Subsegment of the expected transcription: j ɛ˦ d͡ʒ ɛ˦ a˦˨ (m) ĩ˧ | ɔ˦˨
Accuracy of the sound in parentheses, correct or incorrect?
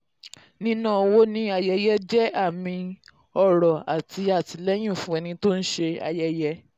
correct